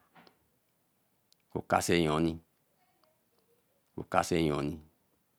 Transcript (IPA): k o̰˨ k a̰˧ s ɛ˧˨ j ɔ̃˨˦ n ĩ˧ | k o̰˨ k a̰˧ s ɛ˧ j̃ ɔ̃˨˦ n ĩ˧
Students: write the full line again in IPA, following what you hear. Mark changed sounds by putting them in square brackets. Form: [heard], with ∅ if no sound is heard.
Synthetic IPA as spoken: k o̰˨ k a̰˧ s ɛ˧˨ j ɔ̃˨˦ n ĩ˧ | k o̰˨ k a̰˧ s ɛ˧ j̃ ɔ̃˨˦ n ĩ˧